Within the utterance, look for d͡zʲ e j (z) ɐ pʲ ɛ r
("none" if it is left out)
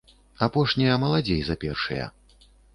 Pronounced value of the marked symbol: z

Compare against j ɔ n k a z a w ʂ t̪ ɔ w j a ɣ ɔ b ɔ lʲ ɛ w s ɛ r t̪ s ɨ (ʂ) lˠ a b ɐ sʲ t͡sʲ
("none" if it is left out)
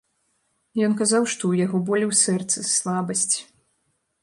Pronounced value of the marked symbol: s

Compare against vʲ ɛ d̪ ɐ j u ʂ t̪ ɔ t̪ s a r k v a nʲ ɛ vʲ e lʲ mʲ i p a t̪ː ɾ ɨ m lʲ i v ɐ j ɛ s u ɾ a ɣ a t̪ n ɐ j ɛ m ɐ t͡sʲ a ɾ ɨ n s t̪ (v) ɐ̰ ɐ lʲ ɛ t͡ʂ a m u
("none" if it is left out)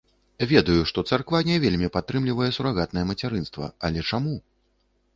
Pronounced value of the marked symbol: v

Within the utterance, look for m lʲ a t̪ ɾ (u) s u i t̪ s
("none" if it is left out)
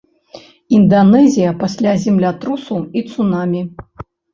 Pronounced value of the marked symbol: u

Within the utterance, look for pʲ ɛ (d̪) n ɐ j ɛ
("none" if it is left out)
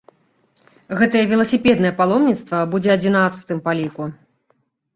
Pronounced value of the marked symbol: d̪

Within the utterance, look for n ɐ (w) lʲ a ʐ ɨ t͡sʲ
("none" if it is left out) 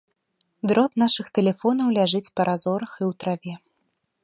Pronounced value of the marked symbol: w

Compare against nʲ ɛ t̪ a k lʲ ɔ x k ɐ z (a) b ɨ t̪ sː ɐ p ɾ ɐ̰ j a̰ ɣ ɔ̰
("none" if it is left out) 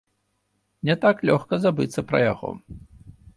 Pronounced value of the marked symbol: a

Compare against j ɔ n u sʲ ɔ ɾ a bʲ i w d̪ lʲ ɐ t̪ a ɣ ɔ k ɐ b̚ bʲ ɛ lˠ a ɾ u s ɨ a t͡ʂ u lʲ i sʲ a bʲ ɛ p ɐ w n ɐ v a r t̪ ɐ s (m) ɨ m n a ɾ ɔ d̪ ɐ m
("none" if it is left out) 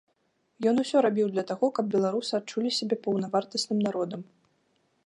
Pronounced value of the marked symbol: n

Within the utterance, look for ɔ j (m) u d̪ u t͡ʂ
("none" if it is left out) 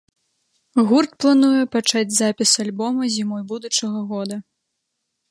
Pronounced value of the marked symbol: b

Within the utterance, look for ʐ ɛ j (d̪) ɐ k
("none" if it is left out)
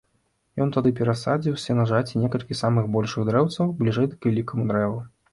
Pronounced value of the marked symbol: d̪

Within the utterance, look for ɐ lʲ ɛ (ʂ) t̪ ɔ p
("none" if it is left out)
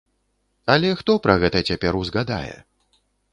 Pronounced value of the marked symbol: x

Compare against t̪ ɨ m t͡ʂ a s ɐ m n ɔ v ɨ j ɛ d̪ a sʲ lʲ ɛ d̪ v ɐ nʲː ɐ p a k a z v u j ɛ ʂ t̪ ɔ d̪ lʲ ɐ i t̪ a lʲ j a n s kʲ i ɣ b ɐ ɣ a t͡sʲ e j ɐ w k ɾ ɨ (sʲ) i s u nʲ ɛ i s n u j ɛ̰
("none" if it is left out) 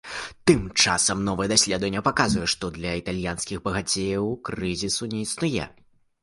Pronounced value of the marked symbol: zʲ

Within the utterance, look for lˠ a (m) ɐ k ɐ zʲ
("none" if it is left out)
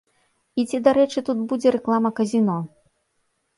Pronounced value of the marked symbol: m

